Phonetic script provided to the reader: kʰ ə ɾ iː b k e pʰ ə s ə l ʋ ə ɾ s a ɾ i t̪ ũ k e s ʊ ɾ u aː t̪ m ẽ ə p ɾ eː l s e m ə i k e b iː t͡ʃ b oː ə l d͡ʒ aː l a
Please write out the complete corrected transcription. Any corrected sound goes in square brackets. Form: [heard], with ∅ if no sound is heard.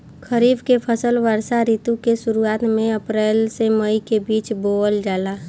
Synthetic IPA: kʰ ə ɾ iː b k e pʰ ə s ə l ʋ ə ɾ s a ɾ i t̪ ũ k e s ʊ ɾ u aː t̪ m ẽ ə p ɾ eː l s e m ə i k e b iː t͡ʃ b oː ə l d͡ʒ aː l a